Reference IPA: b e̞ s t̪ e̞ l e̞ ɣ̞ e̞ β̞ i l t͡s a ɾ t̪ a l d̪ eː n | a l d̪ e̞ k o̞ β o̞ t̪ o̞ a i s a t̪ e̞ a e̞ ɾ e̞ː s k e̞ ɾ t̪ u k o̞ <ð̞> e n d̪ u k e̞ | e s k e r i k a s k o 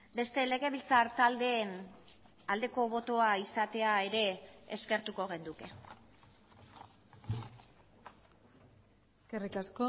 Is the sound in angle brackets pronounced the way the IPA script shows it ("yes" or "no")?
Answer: no